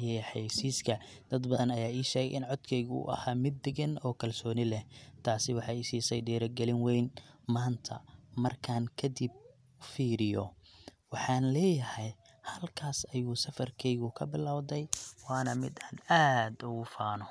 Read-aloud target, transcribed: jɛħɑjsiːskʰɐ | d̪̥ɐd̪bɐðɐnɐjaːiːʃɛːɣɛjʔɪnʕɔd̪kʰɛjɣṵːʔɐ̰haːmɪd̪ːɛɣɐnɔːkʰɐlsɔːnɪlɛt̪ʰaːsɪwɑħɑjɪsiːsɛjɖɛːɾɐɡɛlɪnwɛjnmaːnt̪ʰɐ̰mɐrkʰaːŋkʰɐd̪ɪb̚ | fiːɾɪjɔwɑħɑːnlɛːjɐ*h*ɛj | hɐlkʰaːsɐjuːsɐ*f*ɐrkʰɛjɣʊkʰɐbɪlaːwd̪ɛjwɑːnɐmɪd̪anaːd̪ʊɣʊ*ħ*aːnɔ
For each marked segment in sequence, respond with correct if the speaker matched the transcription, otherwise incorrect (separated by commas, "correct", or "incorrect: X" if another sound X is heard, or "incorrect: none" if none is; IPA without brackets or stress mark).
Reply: correct, correct, incorrect: f